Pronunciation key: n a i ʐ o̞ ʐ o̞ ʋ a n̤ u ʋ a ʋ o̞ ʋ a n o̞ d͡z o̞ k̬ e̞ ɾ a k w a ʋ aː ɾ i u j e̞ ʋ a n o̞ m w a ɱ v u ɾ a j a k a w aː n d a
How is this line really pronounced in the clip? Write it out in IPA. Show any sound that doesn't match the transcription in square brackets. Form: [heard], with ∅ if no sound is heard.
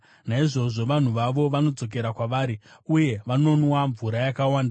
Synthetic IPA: n a i ʐ o̞ ʐ o̞ ʋ a n̤ u ʋ a ʋ o̞ ʋ a n o̞ d͡z o̞ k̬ e̞ ɾ a k w a ʋ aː ɾ i u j e̞ ʋ a n o̞ [n] w a ɱ v u ɾ a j a k a w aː n d a